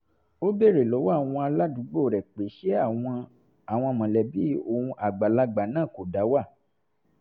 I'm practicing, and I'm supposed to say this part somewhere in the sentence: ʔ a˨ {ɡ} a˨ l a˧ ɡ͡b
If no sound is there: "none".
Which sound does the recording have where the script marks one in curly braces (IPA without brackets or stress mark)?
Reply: ɡ͡b